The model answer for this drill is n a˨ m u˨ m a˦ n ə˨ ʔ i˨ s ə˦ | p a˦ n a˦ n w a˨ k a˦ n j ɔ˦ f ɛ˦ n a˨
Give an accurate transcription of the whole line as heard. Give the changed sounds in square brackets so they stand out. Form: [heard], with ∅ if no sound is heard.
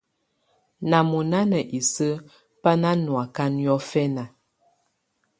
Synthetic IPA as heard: n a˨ m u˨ [n] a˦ n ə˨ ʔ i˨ s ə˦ | p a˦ n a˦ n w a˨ k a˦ n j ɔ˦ f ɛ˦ n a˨